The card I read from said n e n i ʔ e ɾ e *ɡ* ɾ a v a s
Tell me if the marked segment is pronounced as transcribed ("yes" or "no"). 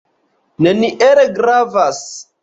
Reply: yes